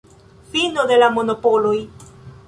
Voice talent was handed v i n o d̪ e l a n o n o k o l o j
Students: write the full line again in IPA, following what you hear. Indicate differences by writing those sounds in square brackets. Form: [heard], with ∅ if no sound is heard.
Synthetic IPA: [f] i n o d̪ e l a [m] o n o [p] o l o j